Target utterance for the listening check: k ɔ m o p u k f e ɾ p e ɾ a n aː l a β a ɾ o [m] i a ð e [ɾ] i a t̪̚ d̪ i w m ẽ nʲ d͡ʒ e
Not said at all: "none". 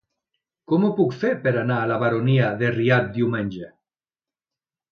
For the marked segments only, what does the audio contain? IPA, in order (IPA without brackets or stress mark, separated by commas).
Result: n, r